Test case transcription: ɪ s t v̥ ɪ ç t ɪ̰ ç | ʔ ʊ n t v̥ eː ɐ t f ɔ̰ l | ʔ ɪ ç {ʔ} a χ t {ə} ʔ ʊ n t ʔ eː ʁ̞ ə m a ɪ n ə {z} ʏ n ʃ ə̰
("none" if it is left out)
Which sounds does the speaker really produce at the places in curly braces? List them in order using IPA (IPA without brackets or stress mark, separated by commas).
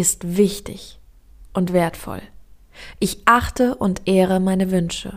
ʔ, ə, v